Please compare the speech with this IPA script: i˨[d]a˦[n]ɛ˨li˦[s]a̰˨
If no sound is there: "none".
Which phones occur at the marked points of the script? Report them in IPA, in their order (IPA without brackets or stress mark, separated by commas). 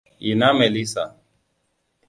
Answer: n, m, s